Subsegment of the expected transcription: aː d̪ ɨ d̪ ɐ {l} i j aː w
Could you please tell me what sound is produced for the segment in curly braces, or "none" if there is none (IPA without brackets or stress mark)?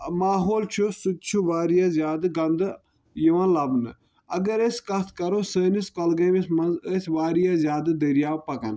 ɾ